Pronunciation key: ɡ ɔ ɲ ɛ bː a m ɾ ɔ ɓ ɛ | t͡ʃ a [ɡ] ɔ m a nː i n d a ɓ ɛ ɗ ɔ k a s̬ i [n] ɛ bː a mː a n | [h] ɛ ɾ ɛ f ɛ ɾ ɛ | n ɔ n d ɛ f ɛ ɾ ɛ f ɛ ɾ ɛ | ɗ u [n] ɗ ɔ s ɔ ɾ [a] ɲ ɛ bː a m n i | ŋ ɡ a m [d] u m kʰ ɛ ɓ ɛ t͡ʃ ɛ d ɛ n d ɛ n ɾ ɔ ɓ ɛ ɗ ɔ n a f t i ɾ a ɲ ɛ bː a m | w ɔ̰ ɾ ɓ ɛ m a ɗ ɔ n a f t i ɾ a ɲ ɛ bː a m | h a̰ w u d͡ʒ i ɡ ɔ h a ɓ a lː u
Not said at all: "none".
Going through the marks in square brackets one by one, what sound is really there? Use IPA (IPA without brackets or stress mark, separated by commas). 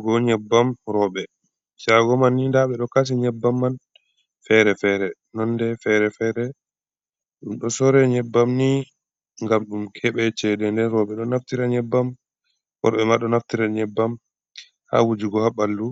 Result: ɡ, ɲ, f, m, ɛ, ɗ